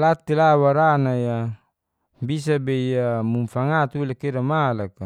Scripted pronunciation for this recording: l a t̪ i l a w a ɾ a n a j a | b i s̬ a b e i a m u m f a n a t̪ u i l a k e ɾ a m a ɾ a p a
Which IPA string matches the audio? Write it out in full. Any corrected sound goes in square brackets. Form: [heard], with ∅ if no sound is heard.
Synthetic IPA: l a t̪ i l a w a ɾ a n a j a | b i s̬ a b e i a m u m f a [ŋ] a t̪ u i l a k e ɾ a m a [l] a [k] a